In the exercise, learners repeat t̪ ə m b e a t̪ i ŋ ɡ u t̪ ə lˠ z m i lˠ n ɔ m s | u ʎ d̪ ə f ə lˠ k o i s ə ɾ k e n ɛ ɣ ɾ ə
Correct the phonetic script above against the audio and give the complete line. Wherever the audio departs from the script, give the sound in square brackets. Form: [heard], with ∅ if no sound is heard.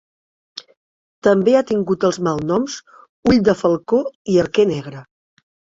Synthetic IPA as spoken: t̪ ə m b e a t̪ i ŋ ɡ u t̪ ə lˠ z m [a] lˠ n ɔ m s | u ʎ d̪ ə f ə lˠ k o i [∅] ə ɾ k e n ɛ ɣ ɾ ə